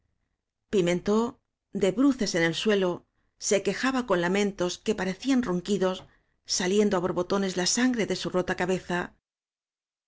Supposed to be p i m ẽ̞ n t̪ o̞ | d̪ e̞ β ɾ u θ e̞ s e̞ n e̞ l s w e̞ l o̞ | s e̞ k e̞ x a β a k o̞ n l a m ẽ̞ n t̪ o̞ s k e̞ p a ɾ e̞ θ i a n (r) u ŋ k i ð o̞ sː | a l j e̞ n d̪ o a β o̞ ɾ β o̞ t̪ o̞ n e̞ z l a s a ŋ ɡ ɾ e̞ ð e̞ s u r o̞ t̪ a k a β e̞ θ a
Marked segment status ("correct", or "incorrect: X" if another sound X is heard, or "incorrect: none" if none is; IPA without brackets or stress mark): correct